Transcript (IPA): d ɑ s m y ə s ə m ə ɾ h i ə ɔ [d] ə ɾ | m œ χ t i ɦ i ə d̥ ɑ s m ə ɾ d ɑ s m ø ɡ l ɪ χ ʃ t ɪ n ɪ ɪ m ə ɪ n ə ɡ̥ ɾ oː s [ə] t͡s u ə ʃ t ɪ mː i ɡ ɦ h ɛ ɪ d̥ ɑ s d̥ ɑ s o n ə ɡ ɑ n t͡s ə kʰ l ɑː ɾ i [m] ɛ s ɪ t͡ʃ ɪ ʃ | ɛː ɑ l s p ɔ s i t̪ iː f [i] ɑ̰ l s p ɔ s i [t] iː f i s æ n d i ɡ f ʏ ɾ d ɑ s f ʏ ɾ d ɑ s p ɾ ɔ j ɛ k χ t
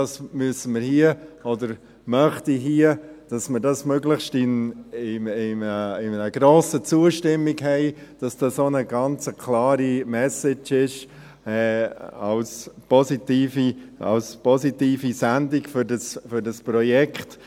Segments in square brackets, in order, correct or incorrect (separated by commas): correct, correct, correct, correct, correct